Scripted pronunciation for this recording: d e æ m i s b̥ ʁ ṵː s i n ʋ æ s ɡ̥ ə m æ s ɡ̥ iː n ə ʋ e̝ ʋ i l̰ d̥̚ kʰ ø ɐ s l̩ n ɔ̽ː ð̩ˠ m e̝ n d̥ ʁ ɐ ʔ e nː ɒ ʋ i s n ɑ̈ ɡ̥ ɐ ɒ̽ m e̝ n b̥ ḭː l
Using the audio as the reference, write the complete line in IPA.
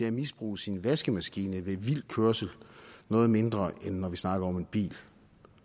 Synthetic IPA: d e æ m i s b̥ ʁ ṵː s i n ʋ æ s ɡ̥ ə m æ s ɡ̥ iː n ə ʋ e̝ ʋ i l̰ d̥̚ kʰ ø ɐ s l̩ n ɔ̽ː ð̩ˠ m e̝ n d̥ ʁ ɐ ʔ e nː ɒ ʋ i s n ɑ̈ ɡ̥ ɐ ɒ̽ m e̝ n b̥ ḭː l

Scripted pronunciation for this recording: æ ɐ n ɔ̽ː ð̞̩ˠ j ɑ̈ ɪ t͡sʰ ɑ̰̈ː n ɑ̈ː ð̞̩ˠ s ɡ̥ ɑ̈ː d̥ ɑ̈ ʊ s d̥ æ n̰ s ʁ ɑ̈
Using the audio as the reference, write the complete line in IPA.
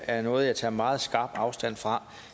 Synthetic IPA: æ ɐ n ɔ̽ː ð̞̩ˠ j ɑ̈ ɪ t͡sʰ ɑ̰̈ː m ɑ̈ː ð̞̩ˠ s ɡ̥ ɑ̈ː b̥ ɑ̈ ʊ s d̥ æ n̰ f ʁ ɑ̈

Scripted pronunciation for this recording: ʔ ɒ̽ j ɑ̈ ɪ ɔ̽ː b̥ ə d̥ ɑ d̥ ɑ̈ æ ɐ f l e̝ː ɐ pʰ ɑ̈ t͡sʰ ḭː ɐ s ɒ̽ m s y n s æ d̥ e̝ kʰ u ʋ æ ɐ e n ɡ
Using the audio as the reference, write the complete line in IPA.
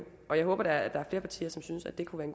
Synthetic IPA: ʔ ɒ̽ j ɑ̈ ɪ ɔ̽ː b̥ ɐ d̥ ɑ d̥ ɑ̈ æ ɐ f l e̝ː ɐ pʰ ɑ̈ t͡sʰ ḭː ɐ s ɒ̽ m s y n s æ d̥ e̝ kʰ u ʋ æ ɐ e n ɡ

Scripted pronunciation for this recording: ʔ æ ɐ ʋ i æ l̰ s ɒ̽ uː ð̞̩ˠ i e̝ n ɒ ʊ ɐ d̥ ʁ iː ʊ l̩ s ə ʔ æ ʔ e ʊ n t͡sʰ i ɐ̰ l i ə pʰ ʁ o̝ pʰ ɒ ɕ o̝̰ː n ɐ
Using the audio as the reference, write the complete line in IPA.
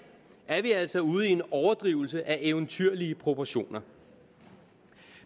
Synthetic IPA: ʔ æ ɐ ʋ i æ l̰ s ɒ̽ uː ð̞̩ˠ i e̝ n ɒ ʊ ɐ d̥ ʁ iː ʊ l̩ s ə ʔ æ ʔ e ʊ n t͡sʰ y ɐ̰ l i ə pʰ ʁ o̝ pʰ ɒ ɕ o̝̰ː n ɐ

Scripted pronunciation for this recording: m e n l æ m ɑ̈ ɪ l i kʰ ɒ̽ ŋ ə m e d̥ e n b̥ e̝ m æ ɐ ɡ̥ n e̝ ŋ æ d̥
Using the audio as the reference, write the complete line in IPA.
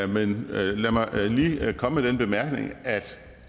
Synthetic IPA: m e n l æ m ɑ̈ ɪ l iː kʰ ɒ̽ m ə m e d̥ e n b̥ e̝ m æ ɐ ɡ̥ n e̝ ŋ æ d̥

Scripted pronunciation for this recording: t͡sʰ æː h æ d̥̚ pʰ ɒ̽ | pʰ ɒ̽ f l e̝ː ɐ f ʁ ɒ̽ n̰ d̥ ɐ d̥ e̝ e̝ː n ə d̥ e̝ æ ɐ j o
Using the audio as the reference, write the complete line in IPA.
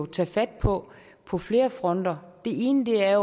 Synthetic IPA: t͡sʰ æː f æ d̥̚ pʰ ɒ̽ | pʰ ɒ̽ f l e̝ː ɐ f ʁ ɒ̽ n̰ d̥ ɐ d̥ e̝ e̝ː n ə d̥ e̝ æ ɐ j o

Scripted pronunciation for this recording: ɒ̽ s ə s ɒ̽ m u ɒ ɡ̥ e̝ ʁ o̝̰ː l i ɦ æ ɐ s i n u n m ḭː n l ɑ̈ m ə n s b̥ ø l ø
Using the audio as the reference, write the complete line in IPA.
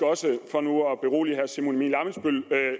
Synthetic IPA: ɒ̽ s ə f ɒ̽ n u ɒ b̥ e̝ ʁ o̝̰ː l i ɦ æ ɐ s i m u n m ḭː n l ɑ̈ m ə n s b̥ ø l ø

